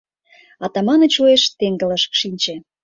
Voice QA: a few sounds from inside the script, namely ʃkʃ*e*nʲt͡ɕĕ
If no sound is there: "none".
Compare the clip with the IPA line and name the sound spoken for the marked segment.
i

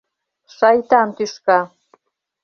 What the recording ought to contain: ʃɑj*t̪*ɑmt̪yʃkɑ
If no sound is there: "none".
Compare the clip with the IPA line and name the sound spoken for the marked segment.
t̪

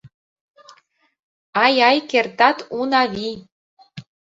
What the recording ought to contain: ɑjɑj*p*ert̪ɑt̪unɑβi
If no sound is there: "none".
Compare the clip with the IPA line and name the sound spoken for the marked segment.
k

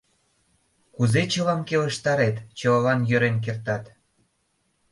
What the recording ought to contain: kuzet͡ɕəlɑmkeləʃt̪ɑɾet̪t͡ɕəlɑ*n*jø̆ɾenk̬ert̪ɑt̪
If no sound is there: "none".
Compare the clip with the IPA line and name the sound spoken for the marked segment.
n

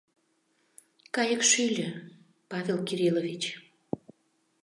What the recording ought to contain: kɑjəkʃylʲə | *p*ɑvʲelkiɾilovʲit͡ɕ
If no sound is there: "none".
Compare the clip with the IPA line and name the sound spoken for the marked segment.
p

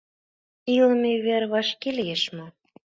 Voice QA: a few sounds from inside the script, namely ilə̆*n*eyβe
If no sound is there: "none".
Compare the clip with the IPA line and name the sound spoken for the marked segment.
m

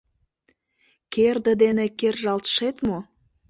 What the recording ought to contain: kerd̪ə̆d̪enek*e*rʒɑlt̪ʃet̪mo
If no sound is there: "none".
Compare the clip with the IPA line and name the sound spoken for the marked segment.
e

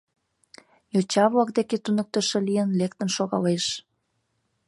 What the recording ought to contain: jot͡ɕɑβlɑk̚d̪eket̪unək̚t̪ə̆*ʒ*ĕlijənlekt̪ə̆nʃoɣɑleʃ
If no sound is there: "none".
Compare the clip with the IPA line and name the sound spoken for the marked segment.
ʃ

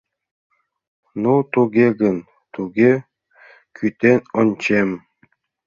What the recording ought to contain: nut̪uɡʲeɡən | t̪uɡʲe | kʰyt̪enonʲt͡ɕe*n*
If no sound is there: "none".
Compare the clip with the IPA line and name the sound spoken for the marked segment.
m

